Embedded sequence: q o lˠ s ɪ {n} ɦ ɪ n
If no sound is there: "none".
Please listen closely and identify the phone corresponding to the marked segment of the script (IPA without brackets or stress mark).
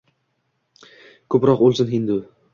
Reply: n